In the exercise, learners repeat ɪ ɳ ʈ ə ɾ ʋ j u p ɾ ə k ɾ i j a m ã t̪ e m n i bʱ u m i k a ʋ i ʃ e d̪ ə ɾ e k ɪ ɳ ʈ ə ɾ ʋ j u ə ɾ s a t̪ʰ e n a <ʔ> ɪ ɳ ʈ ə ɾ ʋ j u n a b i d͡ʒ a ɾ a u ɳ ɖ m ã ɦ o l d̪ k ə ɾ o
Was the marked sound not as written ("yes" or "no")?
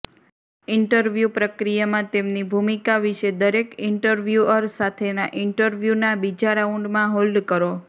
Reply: no